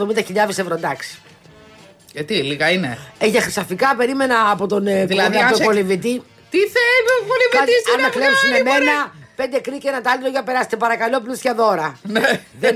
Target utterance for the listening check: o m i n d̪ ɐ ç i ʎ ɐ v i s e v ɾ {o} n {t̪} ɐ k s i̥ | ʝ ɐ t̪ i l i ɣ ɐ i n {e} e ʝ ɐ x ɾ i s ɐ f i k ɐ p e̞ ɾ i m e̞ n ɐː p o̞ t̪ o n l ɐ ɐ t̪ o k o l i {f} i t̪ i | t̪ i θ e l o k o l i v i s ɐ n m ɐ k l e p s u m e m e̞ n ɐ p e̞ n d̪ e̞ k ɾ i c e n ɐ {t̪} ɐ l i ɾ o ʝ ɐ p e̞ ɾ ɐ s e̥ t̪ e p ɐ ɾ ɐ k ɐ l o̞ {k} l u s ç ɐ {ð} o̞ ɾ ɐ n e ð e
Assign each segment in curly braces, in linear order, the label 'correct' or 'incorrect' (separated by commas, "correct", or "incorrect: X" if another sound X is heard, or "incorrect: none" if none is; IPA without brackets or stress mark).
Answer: correct, incorrect: d̪, correct, incorrect: v, correct, incorrect: p, correct